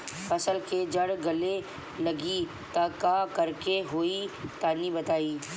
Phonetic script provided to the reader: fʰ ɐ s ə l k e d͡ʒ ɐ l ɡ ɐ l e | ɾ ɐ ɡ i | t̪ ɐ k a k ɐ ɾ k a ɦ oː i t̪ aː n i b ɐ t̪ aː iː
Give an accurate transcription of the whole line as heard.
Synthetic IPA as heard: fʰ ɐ s ə l k e d͡ʒ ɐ ɽ ɡ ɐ l e | l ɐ ɡ i | t̪ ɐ k a k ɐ ɾ k e ɦ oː i t̪ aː n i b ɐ t̪ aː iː